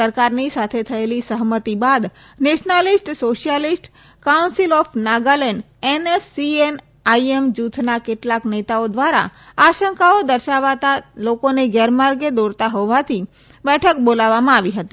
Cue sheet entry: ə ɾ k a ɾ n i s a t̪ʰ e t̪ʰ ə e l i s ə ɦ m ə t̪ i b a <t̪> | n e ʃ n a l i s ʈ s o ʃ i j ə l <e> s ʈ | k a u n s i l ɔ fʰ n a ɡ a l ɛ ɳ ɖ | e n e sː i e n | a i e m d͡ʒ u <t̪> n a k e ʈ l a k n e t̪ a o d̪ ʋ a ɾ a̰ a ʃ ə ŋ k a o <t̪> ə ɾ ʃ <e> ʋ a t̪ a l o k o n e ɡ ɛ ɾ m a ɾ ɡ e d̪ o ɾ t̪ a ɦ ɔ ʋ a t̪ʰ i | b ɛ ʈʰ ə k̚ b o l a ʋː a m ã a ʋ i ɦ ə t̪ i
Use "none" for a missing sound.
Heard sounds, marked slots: d̪, i, t̪ʰ, d̪, a

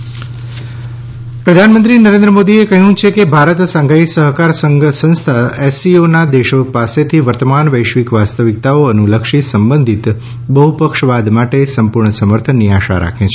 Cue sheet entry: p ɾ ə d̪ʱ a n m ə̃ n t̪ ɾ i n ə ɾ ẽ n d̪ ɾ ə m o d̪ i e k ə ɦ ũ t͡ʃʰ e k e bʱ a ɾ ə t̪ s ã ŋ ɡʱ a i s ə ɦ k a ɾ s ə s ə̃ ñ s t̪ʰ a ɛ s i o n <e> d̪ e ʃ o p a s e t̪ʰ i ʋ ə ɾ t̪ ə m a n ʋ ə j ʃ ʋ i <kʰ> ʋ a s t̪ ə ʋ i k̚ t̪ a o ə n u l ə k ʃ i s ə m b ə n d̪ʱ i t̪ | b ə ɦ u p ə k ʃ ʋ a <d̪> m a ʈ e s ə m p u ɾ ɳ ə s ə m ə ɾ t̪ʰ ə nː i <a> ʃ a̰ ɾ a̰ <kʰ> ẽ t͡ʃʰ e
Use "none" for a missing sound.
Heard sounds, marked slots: a, k, d̪, a, kʰ

